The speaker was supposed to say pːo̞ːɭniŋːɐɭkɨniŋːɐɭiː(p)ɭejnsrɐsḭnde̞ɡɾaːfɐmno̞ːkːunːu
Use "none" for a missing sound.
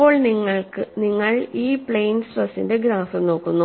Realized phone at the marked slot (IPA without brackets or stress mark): p